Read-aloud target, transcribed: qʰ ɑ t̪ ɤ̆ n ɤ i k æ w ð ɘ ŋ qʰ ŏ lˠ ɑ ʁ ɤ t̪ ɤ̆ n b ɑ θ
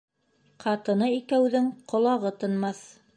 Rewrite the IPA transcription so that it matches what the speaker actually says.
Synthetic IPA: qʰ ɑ t̪ ɤ̆ n ɤ i k æ w ð ɘ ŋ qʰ ŏ lˠ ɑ ʁ ɤ t̪ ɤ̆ n m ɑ θ

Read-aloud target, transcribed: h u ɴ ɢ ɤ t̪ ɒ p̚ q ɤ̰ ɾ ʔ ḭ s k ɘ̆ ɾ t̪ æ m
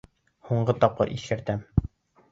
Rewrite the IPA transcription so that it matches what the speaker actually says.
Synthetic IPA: h u ɴ ɢ ɤ t̪ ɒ p̚ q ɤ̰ ɾ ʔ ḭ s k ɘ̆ ɾ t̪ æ m

